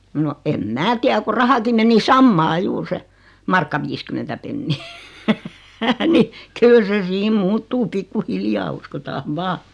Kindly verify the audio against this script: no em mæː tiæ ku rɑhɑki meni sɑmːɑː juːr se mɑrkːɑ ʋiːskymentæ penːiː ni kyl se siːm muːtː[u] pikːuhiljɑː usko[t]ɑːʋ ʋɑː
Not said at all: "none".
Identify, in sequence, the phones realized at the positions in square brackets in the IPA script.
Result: uː, t

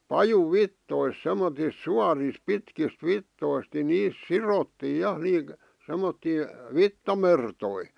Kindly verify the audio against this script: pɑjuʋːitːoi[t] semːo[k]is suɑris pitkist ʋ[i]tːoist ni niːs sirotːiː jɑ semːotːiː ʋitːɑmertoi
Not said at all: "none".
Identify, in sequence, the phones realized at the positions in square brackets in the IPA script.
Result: s, t, i

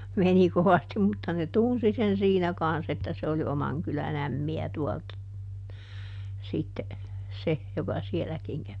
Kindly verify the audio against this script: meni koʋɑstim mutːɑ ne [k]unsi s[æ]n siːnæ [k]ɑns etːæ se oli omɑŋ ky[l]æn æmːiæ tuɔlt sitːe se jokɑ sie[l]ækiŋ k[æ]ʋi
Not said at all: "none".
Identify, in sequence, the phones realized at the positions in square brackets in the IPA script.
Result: t, e, k, l, l, æ

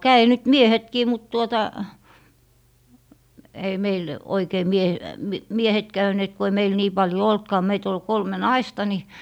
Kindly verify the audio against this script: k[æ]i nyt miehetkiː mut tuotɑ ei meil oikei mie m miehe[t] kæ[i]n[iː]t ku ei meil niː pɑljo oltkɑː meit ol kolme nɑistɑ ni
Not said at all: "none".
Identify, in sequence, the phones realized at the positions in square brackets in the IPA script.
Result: æ, t, y, eː

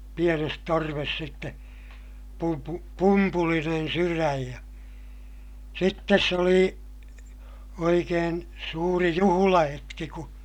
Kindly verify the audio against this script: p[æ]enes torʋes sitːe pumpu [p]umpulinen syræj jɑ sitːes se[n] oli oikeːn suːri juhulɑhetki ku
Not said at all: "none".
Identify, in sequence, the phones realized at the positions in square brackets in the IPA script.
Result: i, p, none

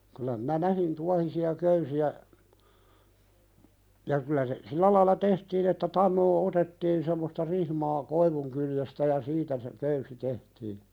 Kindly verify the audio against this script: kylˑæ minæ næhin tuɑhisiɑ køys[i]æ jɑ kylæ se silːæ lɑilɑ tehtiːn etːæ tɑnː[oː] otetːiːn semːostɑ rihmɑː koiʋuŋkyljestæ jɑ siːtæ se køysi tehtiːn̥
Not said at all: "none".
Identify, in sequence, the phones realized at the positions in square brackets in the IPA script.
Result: i, oː

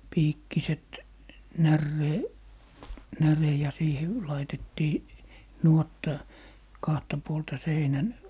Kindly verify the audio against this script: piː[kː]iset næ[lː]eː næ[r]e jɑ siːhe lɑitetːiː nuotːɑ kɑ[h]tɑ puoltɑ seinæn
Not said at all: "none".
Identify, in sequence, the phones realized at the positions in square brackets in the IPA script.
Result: kː, rː, r, h

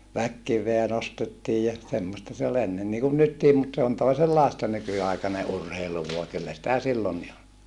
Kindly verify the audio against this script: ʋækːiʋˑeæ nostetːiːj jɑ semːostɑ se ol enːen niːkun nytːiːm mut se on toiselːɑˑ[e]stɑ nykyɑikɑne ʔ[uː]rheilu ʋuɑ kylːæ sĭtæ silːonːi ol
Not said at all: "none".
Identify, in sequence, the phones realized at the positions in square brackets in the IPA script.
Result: e, u

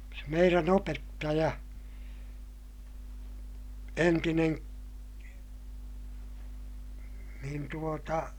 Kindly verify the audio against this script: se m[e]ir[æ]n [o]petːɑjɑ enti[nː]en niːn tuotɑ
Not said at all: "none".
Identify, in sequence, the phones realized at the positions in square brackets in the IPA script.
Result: e, æ, o, n

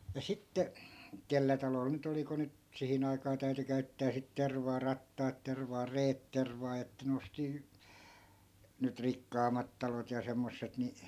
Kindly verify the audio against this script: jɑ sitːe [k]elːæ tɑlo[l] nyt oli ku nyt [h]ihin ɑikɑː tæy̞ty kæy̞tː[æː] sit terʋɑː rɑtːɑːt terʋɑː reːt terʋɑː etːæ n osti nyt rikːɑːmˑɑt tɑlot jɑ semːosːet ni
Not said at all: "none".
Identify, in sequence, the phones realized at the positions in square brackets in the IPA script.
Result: k, l, s, æː

